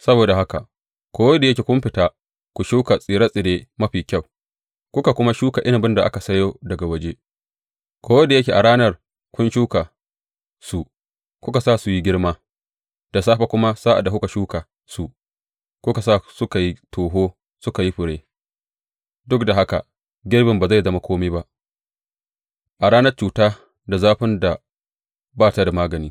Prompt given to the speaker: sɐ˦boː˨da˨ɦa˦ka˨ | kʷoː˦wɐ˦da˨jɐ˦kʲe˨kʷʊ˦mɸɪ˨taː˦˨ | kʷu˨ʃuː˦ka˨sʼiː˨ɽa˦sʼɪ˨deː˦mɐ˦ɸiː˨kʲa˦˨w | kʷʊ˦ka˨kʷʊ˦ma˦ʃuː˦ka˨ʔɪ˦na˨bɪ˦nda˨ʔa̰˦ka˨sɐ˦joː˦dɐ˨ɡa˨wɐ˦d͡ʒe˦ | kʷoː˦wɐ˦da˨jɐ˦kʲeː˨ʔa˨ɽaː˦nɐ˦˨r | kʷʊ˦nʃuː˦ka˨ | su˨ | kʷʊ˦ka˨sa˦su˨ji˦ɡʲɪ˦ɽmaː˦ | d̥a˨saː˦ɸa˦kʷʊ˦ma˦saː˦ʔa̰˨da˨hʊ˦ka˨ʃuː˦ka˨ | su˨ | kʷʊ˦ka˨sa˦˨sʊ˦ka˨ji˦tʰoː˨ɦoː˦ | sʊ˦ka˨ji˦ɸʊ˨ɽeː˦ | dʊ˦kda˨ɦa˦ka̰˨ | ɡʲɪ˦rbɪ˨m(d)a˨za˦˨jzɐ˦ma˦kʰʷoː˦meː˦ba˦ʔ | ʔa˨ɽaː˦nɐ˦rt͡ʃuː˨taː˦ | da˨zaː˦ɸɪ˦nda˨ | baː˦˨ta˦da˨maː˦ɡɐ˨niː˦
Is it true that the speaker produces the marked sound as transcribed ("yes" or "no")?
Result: no